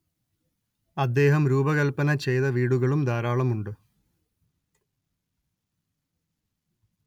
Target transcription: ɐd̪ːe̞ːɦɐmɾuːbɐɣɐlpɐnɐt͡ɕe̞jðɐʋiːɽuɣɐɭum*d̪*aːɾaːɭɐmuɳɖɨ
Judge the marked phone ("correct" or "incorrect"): correct